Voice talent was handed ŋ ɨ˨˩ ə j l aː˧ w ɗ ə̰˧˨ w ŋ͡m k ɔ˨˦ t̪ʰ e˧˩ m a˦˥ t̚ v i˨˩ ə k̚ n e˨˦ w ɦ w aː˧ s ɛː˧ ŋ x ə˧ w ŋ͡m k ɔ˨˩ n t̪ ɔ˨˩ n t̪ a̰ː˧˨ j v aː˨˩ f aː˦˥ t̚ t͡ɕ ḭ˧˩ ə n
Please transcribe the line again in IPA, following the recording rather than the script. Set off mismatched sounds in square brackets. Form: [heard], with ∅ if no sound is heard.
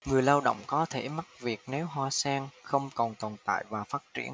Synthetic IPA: ŋ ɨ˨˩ ə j l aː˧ w ɗ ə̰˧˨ w ŋ͡m k ɔ˨˦ t̪ʰ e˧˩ m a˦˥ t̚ v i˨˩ ə k̚ n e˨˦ w ɦ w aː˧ s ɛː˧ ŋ x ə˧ w ŋ͡m k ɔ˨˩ n t̪ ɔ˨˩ n t̪ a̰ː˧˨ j v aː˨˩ f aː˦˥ t̚ t͡ɕ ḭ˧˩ ə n